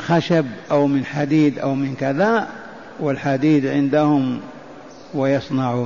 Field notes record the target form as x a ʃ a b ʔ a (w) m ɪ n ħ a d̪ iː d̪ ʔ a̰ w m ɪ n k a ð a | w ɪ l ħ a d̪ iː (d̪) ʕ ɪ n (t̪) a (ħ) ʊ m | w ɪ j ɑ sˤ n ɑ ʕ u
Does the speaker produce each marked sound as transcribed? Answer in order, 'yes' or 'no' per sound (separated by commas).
yes, yes, no, no